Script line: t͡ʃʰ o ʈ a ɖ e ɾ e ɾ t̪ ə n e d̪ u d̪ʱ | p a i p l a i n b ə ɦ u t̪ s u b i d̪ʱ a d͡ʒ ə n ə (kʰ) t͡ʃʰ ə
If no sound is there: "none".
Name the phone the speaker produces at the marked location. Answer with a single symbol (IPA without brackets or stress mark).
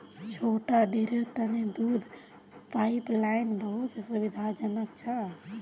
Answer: k